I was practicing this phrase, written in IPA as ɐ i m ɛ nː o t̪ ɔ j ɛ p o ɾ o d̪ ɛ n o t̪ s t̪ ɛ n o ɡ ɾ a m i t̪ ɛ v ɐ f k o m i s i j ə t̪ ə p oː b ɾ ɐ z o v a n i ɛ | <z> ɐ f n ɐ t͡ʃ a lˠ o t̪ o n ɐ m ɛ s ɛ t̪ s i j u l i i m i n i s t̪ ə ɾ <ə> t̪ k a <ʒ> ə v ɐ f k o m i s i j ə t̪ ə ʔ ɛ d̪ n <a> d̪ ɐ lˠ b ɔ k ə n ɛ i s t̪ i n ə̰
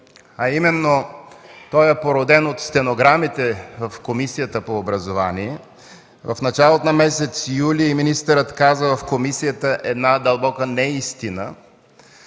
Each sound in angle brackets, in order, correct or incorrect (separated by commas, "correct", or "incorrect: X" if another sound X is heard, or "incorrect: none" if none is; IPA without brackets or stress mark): incorrect: v, correct, incorrect: z, correct